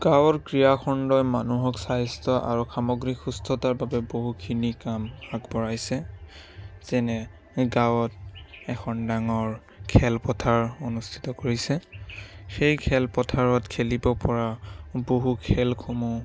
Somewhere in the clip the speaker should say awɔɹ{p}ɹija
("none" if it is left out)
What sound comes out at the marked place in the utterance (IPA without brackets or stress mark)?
k